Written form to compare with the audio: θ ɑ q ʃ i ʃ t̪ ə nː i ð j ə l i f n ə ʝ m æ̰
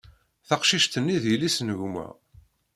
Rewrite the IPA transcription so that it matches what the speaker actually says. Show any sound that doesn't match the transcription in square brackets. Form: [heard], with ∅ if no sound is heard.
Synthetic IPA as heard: θ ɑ q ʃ i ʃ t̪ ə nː i ð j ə l i [s] n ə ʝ m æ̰